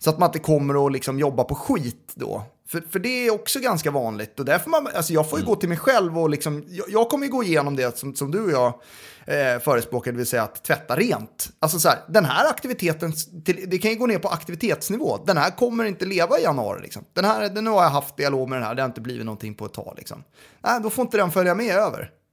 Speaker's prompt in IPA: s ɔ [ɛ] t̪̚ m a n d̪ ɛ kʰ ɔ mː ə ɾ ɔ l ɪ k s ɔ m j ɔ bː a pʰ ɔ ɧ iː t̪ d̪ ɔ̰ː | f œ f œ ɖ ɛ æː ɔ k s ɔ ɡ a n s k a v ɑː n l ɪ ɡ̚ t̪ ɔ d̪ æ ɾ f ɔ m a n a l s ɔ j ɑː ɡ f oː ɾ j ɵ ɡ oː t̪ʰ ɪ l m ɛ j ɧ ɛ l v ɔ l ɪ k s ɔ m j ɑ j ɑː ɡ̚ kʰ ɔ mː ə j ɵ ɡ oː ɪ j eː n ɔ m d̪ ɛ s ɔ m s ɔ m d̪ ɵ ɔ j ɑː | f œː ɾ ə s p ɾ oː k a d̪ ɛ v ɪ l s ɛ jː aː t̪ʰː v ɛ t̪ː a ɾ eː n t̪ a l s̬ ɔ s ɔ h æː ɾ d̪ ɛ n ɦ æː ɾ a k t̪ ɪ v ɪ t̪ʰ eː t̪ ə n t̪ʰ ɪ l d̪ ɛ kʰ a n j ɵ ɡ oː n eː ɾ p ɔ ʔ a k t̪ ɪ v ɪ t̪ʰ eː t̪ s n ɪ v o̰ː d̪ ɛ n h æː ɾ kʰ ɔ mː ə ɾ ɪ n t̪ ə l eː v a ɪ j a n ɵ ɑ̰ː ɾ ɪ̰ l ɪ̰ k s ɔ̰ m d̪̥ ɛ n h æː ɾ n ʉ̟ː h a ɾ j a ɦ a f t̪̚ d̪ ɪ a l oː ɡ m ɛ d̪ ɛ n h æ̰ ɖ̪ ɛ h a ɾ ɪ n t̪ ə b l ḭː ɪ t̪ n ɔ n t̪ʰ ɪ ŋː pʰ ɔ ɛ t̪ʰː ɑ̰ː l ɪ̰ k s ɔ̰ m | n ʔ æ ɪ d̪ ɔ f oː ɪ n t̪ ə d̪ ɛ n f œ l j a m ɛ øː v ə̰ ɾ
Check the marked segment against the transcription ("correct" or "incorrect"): incorrect